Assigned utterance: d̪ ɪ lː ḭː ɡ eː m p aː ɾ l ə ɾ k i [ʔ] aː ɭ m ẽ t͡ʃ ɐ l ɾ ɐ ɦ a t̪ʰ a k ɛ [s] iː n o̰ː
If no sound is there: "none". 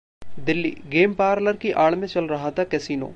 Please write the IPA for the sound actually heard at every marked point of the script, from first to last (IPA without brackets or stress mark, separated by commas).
ʔ, s